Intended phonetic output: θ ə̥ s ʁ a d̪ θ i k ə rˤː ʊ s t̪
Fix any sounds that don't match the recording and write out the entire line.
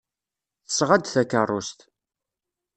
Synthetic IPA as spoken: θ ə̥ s ʁ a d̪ θ æ k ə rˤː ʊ s t̪